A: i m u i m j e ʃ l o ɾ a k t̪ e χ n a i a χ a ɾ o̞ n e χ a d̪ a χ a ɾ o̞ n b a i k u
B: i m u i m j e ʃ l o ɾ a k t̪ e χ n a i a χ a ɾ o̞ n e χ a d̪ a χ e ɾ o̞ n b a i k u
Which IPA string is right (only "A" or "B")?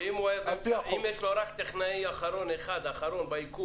A